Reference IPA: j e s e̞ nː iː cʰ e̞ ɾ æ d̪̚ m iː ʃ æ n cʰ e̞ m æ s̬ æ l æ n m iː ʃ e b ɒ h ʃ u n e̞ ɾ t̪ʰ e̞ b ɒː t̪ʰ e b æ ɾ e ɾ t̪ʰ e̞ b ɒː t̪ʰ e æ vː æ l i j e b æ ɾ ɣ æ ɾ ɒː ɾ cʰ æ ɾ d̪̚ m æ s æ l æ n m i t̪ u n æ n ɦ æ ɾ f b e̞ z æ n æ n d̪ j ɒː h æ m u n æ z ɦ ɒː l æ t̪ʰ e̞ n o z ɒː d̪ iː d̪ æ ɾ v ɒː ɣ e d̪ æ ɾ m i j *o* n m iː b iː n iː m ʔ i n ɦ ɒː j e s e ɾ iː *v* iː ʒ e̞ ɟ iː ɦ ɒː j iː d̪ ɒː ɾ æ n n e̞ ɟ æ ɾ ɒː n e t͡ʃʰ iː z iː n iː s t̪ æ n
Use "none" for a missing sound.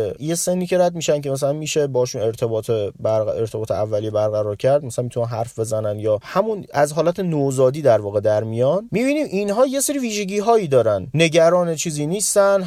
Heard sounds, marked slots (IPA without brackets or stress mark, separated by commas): ɒ, v